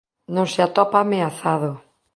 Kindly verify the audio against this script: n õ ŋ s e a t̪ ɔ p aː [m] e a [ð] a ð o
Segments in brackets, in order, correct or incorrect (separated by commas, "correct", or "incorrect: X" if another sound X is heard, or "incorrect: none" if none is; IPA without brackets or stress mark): correct, incorrect: θ